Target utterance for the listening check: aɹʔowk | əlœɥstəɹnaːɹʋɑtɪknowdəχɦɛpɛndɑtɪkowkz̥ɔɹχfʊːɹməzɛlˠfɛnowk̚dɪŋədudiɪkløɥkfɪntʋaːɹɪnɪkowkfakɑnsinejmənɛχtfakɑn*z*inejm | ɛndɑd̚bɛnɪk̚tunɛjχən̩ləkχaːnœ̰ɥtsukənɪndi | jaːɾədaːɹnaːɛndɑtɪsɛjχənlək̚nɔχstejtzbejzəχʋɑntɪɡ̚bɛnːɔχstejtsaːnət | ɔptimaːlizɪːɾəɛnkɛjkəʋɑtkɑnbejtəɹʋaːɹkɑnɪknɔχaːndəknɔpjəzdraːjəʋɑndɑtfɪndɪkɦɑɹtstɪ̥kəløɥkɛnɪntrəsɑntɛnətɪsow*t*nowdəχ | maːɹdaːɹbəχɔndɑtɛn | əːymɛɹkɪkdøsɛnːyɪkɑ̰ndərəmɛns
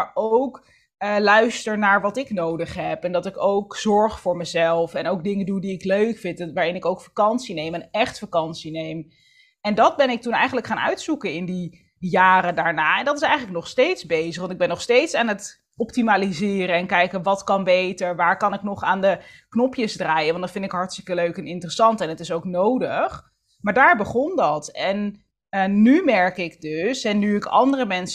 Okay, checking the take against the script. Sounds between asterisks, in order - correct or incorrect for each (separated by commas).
incorrect, incorrect